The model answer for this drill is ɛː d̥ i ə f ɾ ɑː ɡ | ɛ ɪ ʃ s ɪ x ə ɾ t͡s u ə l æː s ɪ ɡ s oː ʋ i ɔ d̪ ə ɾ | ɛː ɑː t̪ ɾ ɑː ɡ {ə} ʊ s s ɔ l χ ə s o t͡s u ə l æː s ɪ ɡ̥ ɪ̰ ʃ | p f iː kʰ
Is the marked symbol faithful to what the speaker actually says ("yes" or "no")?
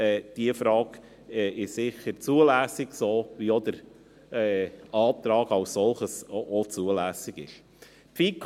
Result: no